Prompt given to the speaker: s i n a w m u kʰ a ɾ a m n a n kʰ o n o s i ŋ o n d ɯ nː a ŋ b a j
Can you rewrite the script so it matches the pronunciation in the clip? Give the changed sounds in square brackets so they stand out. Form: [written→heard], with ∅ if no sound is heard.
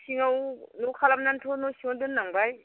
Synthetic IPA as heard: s i [n→ŋ] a w [m→n] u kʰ a [ɾ→l] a m n a n [kʰ→tʰ] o n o s i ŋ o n d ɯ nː a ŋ b a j